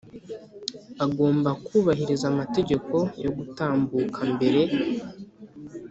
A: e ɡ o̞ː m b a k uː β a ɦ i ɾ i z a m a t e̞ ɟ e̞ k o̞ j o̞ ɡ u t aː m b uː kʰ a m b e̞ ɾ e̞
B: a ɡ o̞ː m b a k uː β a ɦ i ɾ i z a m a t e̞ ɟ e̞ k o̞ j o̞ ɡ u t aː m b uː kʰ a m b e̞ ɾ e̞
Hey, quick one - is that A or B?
B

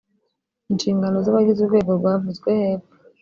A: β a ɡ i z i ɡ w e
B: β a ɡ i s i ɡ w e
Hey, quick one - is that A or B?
A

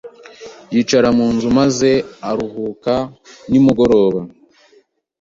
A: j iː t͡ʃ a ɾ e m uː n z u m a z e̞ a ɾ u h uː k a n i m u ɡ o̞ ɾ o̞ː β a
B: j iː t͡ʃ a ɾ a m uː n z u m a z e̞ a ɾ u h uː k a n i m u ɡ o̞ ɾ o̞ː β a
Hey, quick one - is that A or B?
B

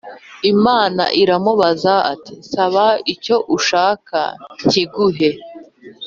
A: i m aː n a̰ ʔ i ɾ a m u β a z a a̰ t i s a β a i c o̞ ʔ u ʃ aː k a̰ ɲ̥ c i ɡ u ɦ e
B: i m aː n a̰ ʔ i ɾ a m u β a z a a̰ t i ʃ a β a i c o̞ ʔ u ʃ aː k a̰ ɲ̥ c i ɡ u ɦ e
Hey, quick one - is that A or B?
A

